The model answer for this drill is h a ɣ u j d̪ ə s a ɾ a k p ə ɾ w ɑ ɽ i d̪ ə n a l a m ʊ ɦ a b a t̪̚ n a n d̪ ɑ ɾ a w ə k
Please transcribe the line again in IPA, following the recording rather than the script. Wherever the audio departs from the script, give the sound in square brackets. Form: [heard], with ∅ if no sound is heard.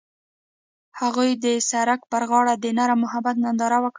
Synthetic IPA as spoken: h a ɣ u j d̪ ə s a ɾ a k p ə ɾ [ɣ] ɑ ɽ [a] d̪ ə n a [ɾ] a m ʊ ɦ a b a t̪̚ n a n d̪ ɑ ɾ a w ə k